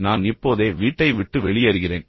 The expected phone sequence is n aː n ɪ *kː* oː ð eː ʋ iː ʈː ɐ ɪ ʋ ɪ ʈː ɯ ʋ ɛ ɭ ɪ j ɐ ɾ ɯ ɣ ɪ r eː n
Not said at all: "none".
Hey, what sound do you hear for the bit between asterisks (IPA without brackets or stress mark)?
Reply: pː